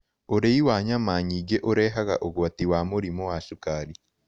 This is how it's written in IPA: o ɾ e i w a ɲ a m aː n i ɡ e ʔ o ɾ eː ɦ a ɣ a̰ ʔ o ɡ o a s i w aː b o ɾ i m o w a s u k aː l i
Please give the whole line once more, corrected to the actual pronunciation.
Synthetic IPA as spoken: o ɾ e i w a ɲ a m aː ɲ i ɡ e ʔ o ɾ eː ɦ a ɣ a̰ ʔ o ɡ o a t i w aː m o ɾ i m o w a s u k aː ɾ i